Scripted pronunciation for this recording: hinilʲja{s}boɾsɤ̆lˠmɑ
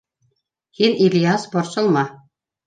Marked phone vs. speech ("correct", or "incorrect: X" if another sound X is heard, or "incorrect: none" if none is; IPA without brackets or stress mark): correct